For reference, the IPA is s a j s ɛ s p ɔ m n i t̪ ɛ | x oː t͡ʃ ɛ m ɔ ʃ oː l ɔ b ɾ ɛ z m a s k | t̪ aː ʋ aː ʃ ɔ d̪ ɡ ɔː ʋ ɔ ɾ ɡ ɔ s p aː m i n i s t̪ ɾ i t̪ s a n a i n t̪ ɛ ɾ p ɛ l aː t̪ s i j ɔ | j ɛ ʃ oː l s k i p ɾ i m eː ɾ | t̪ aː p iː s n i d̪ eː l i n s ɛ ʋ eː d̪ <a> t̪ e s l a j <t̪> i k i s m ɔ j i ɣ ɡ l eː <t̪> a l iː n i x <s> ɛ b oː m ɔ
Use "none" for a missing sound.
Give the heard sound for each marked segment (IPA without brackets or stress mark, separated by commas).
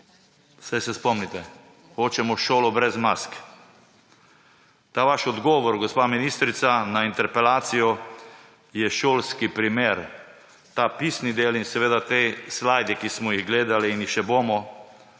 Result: a, d̪, d̪, ʃ